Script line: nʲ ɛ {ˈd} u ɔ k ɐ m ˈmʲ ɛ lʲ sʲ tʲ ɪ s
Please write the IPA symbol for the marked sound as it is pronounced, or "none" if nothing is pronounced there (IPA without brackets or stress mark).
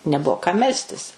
b